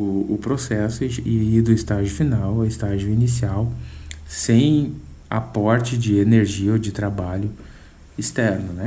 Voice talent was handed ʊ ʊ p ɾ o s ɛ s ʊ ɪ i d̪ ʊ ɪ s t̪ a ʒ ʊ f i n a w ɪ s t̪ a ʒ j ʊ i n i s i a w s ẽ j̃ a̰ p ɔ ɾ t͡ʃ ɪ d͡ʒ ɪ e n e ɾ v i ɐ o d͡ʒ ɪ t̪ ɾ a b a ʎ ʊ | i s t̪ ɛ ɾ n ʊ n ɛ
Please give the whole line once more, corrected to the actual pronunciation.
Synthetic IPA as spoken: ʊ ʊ p ɾ o s ɛ s ʊ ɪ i d̪ ʊ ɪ s t̪ a ʒ ʊ f i n a w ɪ s t̪ a ʒ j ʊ i n i s i a w s ẽ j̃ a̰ p ɔ ɾ t͡ʃ ɪ d͡ʒ ɪ e n e ɾ ʒ i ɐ o d͡ʒ ɪ t̪ ɾ a b a ʎ ʊ | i s t̪ ɛ ɾ n ʊ n ɛ